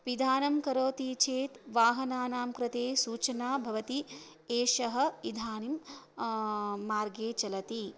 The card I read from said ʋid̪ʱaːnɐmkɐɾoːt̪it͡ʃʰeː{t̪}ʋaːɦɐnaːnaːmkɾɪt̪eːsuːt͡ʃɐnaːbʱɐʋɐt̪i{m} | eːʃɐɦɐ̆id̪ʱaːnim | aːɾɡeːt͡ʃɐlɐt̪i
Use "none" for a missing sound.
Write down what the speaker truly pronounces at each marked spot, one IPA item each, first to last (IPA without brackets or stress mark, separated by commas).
t̪, none